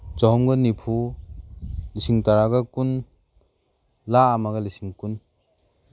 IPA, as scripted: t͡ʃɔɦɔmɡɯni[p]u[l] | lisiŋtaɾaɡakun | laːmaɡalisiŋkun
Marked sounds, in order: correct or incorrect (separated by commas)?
incorrect, incorrect